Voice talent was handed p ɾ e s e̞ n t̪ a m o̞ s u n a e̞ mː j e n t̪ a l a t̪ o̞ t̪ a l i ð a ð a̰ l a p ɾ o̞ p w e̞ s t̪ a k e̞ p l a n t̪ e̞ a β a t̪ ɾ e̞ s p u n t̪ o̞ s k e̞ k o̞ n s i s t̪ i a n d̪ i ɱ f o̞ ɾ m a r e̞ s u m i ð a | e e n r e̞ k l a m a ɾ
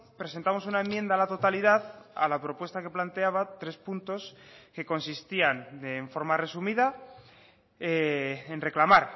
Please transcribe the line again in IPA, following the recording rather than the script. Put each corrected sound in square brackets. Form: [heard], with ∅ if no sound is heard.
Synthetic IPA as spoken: p ɾ e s e̞ n t̪ a m o̞ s u n a e̞ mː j e n [d̪] a l a t̪ o̞ t̪ a l i ð a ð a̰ l a p ɾ o̞ p w e̞ s t̪ a k e̞ p l a n t̪ e̞ a β a t̪ ɾ e̞ s p u n t̪ o̞ s k e̞ k o̞ n s i s t̪ i a n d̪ [e] ɱ f o̞ ɾ m a r e̞ s u m i ð a | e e n r e̞ k l a m a ɾ

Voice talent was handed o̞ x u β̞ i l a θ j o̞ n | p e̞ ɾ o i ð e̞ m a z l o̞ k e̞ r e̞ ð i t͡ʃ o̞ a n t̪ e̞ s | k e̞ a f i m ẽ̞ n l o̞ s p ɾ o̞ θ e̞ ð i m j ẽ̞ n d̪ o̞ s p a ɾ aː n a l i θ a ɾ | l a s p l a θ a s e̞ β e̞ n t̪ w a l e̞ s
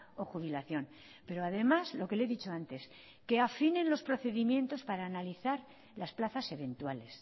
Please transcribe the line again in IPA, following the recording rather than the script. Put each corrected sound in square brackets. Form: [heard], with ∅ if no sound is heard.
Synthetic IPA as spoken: o̞ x u β̞ i l a θ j o̞ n | p e̞ ɾ o [a] ð e̞ m a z l o̞ k e̞ [l] e̞ ð i t͡ʃ o̞ a n t̪ e̞ s | k e̞ a f i [n] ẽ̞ n l o̞ s p ɾ o̞ θ e̞ ð i m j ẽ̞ n [t̪] o̞ s p a ɾ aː n a l i θ a ɾ | l a s p l a θ a s e̞ β e̞ n t̪ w a l e̞ s

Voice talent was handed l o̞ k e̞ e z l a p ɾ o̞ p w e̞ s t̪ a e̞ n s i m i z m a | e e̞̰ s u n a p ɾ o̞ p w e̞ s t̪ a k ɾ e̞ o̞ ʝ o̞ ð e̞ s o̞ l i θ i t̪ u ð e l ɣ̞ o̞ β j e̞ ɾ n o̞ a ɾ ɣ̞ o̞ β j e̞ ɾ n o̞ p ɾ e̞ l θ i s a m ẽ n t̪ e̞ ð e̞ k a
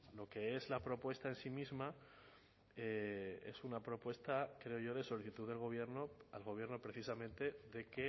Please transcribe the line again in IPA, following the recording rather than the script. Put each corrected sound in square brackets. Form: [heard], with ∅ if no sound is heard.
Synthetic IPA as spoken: l o̞ k e̞ e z l a p ɾ o̞ p w e̞ s t̪ a e̞ n s i m i z m a | e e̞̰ s u n a p ɾ o̞ p w e̞ s t̪ a k ɾ e̞ o̞ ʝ o̞ ð e̞ s o̞ l i θ i t̪ u ð e l ɣ̞ o̞ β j e̞ ɾ n o̞ a [l] ɣ̞ o̞ β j e̞ ɾ n o̞ p ɾ e̞ [∅] θ i s a m ẽ n t̪ e̞ ð e̞ k [e]

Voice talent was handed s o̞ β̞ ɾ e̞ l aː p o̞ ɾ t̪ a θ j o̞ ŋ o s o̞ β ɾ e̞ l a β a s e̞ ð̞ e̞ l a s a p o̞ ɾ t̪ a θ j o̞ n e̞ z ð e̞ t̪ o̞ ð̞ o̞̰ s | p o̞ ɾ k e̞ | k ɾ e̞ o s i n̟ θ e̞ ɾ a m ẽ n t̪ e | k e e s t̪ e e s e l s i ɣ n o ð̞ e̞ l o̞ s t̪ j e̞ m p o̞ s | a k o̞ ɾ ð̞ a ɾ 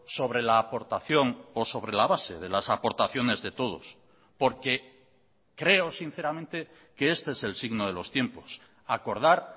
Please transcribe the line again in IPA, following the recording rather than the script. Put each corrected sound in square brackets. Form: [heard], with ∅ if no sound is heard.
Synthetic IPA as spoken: s o̞ β̞ ɾ e̞ l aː p o̞ ɾ t̪ a θ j o̞ ŋ o s o̞ β ɾ e̞ l a β a s e̞ ð̞ e̞ l a s a p o̞ ɾ t̪ a θ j o̞ n e̞ z ð e̞ t̪ o̞ ð̞ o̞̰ s | p o̞ ɾ k e̞ | k ɾ e̞ o s i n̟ θ e̞ ɾ a m ẽ n t̪ e | k e e s t̪ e e s e l s i ɣ n o ð̞ e̞ l o̞ s t̪ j e̞ m p o̞ s | a k o̞ ɾ ð̞ a ɾ

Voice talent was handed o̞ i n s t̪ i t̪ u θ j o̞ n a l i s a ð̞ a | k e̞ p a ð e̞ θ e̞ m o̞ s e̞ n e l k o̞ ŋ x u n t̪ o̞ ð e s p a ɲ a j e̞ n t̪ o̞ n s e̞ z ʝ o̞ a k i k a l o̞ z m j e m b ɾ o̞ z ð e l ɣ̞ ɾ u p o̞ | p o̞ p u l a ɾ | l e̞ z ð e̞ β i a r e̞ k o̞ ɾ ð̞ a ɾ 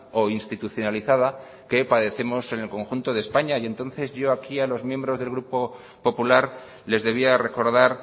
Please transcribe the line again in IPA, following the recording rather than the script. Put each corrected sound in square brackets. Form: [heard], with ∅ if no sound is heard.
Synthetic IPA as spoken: o̞ i n s t̪ i t̪ u θ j o̞ n a l i [θ] a ð̞ a | k e̞ p a ð e̞ θ e̞ m o̞ s e̞ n e l k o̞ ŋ x u n t̪ o̞ ð e s p a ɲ a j e̞ n t̪ o̞ n [θ] e̞ z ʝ o̞ a k i [∅] a l o̞ z m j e m b ɾ o̞ z ð e l ɣ̞ ɾ u p o̞ | p o̞ p u l a ɾ | l e̞ z ð e̞ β i a r e̞ k o̞ ɾ ð̞ a ɾ

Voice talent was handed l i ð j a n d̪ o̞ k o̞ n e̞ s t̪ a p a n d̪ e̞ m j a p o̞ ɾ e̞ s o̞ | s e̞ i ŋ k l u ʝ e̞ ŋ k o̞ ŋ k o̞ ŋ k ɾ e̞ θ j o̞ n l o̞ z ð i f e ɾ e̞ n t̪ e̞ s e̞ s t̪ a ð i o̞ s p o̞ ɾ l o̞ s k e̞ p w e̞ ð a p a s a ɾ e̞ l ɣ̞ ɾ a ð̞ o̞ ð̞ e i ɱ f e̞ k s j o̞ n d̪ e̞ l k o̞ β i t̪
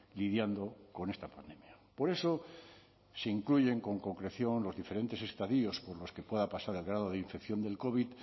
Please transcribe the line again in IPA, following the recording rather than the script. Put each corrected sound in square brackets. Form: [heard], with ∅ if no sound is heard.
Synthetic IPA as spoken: l i ð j a n d̪ o̞ k o̞ n e̞ s t̪ a p a n d̪ e̞ m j a p o̞ ɾ e̞ s o̞ | s e̞ i ŋ k l u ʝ e̞ ŋ k o̞ ŋ k o̞ ŋ k ɾ e̞ θ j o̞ n l o̞ z ð i f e ɾ e̞ n t̪ e̞ s e̞ s t̪ a ð i o̞ s p o̞ ɾ l o̞ s k e̞ p w e̞ ð a p a s a ɾ e̞ l ɣ̞ ɾ a ð̞ o̞ ð̞ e i ɱ f e̞ k [θ] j o̞ n d̪ e̞ l k o̞ β i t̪

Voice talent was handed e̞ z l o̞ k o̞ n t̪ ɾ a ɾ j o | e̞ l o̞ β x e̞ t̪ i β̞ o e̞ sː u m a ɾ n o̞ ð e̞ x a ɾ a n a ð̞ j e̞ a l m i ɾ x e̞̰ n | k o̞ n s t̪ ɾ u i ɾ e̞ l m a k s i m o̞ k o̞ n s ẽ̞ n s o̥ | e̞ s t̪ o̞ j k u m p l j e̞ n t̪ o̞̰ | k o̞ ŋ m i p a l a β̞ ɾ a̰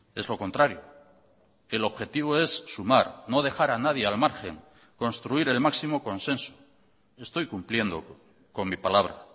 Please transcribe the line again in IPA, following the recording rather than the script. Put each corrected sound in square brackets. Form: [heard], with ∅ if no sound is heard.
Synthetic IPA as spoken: e̞ z l o̞ k o̞ n t̪ ɾ a ɾ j o | e̞ l o̞ β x e̞ t̪ i β̞ o e̞ sː u m a ɾ n o̞ ð e̞ x a ɾ a n a ð̞ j e̞ a l m [a] ɾ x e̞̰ [ŋ] | k o̞ n s t̪ ɾ u i ɾ e̞ l m a k s i m o̞ k o̞ n s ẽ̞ n s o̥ | e̞ s t̪ o̞ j k u m p l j e̞ n [d̪] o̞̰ | k o̞ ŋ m i p a l a β̞ ɾ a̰

